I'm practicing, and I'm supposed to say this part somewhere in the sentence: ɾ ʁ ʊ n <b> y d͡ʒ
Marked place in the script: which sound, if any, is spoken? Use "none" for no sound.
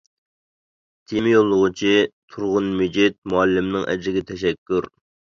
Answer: m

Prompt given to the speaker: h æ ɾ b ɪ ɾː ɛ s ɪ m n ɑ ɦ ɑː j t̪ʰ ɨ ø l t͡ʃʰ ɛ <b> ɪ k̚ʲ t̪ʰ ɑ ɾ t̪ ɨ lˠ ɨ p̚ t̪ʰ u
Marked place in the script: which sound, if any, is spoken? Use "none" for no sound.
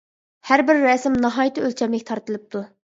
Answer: m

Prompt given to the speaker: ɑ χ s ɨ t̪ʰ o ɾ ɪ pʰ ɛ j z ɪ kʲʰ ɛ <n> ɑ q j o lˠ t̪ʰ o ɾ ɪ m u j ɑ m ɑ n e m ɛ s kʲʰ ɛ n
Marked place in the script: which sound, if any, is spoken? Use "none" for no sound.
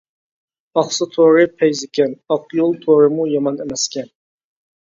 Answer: n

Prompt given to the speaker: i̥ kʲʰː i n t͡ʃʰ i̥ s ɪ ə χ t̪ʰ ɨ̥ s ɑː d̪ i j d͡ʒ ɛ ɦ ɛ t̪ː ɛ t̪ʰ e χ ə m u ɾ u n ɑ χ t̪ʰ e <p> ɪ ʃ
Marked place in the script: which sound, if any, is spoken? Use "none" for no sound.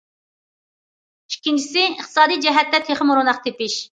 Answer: p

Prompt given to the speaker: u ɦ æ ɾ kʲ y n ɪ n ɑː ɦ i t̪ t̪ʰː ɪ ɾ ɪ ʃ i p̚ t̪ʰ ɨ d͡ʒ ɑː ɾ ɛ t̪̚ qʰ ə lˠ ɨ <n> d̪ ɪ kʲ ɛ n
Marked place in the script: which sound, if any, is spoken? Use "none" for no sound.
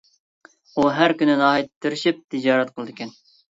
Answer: none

